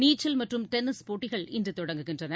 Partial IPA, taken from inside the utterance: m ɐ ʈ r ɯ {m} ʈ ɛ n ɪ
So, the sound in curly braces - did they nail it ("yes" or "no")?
yes